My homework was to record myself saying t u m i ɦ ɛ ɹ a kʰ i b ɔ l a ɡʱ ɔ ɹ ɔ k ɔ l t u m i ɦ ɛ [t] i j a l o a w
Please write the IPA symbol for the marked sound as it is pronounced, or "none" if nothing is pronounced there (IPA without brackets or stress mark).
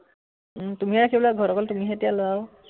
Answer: t